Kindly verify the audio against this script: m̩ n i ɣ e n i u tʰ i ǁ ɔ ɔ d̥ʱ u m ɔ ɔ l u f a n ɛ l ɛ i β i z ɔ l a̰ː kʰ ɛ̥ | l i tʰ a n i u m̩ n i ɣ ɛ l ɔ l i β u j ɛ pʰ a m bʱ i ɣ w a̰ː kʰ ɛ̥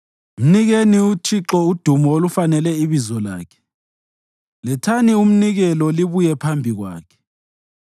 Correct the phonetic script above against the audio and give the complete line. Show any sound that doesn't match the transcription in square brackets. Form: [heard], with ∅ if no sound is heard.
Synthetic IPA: m̩ n i ɣ e n i u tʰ i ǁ ɔ [u] d̥ʱ u m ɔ [o] l u f a n ɛ l ɛ i β i z ɔ l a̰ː kʰ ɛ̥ | l [ɛ] tʰ a n i u m̩ n i ɣ ɛ l ɔ l i β u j ɛ pʰ a m bʱ i ɣ w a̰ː kʰ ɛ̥